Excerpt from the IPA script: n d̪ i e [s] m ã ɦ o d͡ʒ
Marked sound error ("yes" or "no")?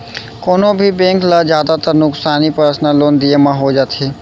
yes